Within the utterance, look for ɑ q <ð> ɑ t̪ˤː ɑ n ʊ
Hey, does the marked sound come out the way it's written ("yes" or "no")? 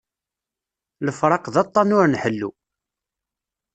yes